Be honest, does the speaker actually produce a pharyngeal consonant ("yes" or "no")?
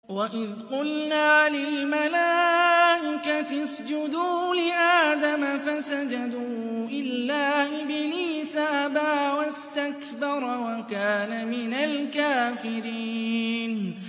no